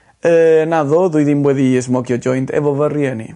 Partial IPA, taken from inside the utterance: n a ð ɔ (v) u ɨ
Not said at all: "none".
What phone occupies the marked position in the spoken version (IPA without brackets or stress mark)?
ð